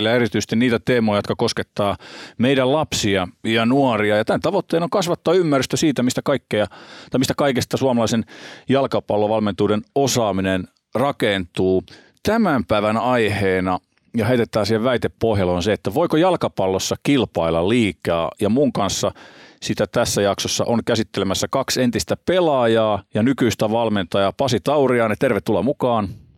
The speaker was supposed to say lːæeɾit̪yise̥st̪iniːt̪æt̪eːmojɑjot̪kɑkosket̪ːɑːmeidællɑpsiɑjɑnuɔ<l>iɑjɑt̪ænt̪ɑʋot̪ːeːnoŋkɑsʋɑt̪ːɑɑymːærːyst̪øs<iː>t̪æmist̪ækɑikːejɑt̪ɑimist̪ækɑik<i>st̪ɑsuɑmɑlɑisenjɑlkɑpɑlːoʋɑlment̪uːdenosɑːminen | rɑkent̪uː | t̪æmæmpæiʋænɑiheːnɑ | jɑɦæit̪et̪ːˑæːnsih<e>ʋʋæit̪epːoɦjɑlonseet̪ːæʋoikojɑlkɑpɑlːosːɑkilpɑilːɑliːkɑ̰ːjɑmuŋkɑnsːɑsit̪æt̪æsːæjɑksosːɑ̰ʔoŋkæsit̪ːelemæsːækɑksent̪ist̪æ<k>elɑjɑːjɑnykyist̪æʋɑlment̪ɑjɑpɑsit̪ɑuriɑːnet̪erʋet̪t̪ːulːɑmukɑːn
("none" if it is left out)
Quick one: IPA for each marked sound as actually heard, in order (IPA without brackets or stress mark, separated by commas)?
r, iː, e, e, p